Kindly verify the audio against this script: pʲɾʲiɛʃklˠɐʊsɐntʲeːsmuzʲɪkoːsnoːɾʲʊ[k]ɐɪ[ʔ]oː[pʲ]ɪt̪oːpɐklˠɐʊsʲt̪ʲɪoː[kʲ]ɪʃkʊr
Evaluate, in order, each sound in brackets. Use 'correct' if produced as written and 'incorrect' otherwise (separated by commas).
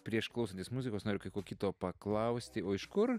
correct, incorrect, incorrect, incorrect